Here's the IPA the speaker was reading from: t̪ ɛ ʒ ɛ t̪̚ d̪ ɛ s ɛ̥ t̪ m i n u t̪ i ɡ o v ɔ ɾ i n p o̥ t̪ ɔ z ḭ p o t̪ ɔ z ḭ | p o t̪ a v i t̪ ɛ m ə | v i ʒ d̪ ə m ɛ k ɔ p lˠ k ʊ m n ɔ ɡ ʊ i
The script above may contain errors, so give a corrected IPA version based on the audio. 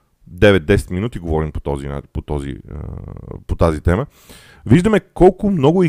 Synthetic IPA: d̪ ɛ v ɛ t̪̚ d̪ ɛ s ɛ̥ t̪ m i n u t̪ i ɡ o v ɔ ɾ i n p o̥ t̪ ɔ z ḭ p o t̪ ɔ z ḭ | p o t̪ a z i t̪ ɛ m ə | v i ʒ d̪ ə m ɛ k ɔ lˠ k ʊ m n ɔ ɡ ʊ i